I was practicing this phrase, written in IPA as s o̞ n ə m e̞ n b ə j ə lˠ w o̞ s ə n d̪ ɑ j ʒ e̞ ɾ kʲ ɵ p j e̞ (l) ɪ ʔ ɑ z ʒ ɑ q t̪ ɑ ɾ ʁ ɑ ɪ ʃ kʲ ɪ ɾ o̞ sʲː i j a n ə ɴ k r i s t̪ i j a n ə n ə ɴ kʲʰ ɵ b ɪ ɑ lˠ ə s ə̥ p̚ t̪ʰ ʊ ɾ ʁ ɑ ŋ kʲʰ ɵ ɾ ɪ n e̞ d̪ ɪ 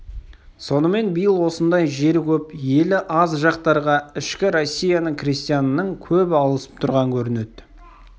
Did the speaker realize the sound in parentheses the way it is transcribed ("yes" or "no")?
yes